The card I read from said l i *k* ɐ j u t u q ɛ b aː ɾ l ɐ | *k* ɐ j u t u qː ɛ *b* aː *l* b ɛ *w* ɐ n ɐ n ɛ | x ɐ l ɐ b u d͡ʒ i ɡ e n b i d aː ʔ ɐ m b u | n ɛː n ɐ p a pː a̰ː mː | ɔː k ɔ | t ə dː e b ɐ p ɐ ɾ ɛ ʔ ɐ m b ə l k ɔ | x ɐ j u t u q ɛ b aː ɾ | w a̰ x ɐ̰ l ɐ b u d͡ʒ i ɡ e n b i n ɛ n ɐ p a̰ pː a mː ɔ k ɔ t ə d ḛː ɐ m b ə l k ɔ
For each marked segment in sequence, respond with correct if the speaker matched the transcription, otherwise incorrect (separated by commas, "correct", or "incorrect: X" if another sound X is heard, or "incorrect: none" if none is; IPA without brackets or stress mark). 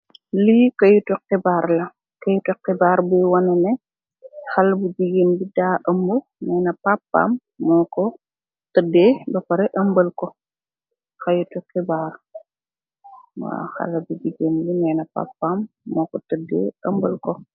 correct, correct, correct, incorrect: ɾ, correct